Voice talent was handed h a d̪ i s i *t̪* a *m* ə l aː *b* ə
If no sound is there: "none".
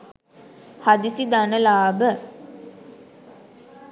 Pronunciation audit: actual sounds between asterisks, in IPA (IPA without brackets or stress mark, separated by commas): d̪, n, b